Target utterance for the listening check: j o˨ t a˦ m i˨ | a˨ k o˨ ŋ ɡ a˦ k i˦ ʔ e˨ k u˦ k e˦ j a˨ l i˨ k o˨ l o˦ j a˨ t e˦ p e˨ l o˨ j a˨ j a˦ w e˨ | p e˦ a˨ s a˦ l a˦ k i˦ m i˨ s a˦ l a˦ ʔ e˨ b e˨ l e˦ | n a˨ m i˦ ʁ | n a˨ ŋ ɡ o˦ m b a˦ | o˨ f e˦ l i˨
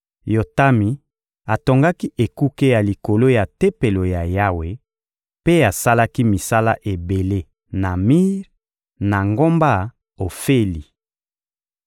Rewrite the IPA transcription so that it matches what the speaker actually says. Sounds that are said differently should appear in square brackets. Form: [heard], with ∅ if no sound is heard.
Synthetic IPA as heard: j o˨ t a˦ m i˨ | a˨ [t] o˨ ŋ ɡ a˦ k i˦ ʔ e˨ k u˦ k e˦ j a˨ l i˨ k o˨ l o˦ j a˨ t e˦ p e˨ l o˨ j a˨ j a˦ w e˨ | p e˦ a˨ s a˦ l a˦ k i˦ m i˨ s a˦ l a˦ ʔ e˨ b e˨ l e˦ | n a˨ m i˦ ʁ | n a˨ ŋ ɡ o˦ m b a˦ | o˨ f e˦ l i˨